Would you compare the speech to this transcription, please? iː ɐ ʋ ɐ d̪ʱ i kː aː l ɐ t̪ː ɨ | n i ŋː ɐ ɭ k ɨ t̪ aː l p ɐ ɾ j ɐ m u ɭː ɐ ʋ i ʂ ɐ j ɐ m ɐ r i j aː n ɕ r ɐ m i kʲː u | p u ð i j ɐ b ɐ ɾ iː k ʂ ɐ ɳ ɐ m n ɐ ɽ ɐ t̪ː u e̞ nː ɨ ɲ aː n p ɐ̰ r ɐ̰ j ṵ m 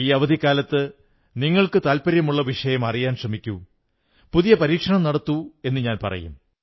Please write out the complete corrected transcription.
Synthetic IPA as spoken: iː ɐ ʋ ɐ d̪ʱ i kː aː l ɐ t̪ː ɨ | n i ŋː ɐ ɭ k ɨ t̪ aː l p ɐ ɾ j ɐ m u ɭː ɐ ʋ i ʂ ɐ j ɐ m ɐ r i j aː n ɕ r ɐ m i kʲː u | p u ð i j ɐ p ɐ ɾ iː k ʂ ɐ ɳ ɐ m n ɐ ɽ ɐ t̪ː u e̞ nː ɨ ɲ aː n p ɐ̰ r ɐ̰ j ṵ m